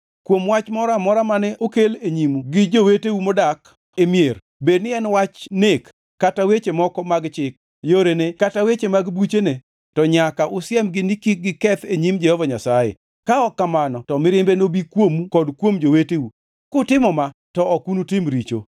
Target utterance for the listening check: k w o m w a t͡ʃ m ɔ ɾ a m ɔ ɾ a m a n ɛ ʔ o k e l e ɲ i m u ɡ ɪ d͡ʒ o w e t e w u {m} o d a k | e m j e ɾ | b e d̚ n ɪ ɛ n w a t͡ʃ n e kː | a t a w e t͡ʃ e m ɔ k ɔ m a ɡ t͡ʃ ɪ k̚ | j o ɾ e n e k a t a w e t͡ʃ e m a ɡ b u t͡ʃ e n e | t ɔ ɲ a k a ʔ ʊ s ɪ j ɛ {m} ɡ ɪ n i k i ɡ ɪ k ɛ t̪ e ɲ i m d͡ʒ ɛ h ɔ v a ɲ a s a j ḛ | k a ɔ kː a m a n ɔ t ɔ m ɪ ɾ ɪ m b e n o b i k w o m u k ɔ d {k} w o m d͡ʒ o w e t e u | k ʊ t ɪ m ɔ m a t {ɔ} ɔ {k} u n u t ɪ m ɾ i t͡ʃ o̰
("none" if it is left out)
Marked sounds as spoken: m, m, k, ɔ, k

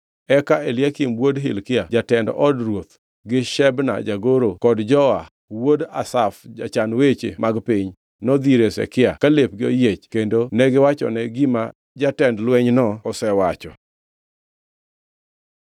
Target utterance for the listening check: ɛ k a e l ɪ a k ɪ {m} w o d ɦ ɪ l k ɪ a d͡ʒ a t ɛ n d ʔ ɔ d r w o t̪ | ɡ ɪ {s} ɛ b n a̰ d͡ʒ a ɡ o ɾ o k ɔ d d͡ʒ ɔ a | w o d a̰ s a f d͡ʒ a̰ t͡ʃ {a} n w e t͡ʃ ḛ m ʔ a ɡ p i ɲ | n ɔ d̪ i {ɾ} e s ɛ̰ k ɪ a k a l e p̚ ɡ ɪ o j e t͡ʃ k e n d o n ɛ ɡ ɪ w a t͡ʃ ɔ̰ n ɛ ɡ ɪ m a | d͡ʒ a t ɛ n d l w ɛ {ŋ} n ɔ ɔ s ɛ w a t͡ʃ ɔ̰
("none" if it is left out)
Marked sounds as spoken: m, ʃ, a, ɾ, ɲ

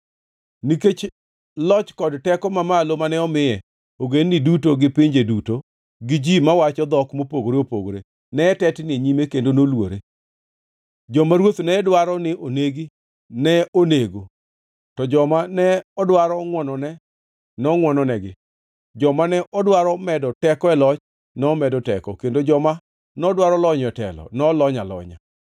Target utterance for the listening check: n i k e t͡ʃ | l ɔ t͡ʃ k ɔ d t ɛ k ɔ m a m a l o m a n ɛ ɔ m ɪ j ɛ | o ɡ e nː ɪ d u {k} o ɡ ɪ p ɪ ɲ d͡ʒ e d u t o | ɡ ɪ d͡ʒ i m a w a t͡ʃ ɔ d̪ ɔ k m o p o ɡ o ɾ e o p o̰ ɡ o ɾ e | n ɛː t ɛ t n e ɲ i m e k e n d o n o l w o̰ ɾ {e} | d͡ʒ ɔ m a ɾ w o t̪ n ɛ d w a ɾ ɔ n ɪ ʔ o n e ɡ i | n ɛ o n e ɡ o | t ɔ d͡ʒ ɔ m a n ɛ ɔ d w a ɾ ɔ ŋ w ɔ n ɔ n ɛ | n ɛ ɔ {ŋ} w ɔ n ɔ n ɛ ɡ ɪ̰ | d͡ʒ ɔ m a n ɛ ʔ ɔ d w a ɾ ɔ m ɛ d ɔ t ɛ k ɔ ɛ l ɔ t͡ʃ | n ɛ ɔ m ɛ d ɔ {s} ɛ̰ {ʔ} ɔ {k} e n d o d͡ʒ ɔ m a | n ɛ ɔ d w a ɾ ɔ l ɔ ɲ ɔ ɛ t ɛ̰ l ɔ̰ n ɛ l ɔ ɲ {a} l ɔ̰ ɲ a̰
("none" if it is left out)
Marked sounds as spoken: t, e, ŋ, t, k, k, a

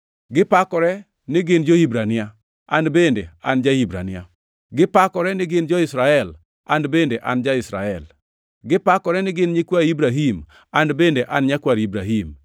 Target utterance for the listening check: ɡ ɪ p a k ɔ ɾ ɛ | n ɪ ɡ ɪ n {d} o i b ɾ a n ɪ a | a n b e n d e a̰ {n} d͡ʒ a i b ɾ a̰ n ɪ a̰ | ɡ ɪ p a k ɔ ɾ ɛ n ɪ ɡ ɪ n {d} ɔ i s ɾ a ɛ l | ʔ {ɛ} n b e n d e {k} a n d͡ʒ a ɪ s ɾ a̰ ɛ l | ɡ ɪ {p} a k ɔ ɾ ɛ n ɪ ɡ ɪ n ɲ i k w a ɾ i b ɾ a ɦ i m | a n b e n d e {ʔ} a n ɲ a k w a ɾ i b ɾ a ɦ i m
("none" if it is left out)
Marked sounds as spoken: d͡ʒ, n, d͡ʒ, a, ʔ, p, ʔ

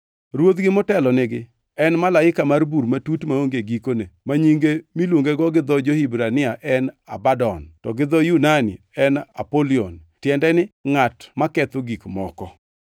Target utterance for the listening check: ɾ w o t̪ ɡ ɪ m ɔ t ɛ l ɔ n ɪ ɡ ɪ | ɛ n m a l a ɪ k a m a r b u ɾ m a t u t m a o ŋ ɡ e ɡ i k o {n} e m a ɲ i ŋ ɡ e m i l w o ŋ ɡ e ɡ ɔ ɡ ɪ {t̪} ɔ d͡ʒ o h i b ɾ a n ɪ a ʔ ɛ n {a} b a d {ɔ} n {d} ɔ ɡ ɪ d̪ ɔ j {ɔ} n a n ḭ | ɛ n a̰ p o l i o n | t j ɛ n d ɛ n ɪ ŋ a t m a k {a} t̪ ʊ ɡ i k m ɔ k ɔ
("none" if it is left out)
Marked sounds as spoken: n, d̪, a, ɔ, t, u, ɛ

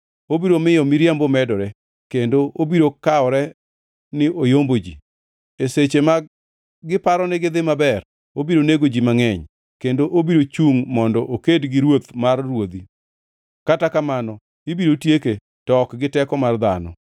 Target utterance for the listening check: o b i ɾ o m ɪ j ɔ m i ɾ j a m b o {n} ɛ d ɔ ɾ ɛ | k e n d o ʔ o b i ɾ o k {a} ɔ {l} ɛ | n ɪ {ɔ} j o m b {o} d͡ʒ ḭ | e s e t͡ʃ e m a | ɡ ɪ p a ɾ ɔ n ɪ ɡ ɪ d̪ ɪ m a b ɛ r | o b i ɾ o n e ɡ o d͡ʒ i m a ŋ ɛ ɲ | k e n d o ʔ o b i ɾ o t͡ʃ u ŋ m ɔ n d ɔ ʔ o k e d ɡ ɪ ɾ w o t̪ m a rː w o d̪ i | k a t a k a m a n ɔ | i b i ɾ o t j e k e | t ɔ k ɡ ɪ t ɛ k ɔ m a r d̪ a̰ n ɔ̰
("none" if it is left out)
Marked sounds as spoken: m, a, ɾ, o, o

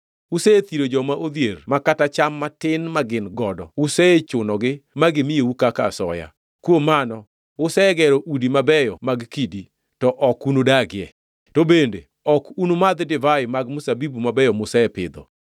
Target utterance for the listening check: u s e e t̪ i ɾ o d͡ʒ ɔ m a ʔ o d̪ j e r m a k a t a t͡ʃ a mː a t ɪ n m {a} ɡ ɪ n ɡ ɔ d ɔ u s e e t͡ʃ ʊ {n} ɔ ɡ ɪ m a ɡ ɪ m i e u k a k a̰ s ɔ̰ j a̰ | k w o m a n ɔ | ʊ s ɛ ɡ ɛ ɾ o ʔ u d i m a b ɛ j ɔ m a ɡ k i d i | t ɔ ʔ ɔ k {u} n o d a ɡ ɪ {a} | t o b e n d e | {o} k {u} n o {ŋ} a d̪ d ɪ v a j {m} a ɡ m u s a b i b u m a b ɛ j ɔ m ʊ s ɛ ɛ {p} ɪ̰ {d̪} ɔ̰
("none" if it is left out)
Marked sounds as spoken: a, n, u, ɛ, ɔ, u, m, m, p, d̪

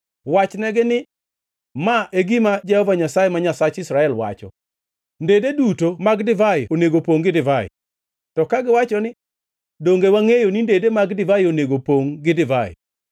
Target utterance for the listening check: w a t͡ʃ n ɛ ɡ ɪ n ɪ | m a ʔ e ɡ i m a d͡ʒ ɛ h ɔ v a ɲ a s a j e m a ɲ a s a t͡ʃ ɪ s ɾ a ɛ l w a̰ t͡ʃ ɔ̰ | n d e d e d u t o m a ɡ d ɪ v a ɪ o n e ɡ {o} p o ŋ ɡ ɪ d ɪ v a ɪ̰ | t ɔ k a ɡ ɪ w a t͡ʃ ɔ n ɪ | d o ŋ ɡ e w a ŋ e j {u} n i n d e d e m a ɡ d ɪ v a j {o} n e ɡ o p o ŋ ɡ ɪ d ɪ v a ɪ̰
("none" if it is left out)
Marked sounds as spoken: o, o, o

